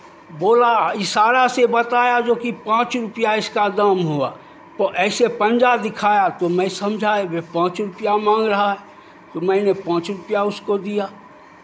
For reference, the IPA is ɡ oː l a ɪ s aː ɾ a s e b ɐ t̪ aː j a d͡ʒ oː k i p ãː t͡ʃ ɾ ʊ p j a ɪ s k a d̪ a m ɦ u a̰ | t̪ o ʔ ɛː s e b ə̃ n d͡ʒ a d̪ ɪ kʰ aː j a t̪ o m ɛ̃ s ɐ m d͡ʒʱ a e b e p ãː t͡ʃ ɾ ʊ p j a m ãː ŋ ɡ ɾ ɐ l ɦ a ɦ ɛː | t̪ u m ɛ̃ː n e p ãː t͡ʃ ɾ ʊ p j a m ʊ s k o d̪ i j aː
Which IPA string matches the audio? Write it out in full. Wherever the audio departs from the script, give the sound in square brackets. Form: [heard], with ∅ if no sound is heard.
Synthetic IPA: [b] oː l a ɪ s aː ɾ a s e b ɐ t̪ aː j a d͡ʒ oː k i p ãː t͡ʃ ɾ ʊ p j a ɪ s k a d̪ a m ɦ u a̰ | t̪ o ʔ ɛː s e [p] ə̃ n d͡ʒ a d̪ ɪ kʰ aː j a t̪ o m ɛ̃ s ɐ m d͡ʒʱ a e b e p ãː t͡ʃ ɾ ʊ p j a m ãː ŋ ɡ ɾ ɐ [∅] ɦ a ɦ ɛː | t̪ [o] m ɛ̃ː n e p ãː t͡ʃ ɾ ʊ p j a [∅] ʊ s k o d̪ i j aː